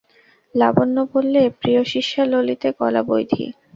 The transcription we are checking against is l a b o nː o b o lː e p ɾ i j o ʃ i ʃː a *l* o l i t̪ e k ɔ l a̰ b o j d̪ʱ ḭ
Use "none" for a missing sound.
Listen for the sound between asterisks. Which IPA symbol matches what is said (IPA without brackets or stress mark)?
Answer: l